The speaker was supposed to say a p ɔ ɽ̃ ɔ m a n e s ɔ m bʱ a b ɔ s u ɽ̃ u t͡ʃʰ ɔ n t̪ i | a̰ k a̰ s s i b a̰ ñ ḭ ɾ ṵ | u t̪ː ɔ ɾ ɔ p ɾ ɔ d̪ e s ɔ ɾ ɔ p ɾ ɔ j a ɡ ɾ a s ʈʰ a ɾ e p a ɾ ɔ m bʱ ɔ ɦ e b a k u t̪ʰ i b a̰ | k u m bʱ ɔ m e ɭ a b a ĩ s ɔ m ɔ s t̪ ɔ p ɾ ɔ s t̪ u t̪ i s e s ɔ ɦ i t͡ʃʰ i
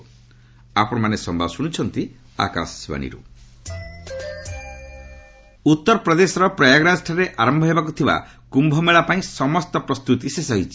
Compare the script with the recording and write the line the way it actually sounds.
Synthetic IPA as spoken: a p ɔ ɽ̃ ɔ m a n e s ɔ m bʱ a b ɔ s u ɽ̃ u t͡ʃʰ ɔ n t̪ i | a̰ k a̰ s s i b a̰ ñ ḭ ɾ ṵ | u t̪ː ɔ ɾ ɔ p ɾ ɔ d̪ e s ɔ ɾ ɔ p ɾ ɔ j a ɡ ɾ a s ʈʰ a ɾ e ʔ a ɾ ɔ m bʱ ɔ ɦ e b a k u t̪ʰ i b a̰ | k u m bʱ ɔ m e ɭ a p a ĩ s ɔ m ɔ s t̪ ɔ p ɾ ɔ s t̪ u t̪ i s e s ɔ ɦ i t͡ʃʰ i